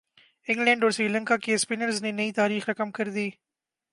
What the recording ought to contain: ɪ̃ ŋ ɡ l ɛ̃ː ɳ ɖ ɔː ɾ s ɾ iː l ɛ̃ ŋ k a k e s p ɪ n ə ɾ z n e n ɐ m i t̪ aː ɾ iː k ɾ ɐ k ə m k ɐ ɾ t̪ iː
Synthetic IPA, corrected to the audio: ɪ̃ ŋ ɡ l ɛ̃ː ɳ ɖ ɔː ɾ s ɾ iː l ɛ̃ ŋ k a k e s p ɪ n ə ɾ z n e n ɐ i t̪ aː ɾ iː x ɾ ɐ k ə m k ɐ ɾ d̪ iː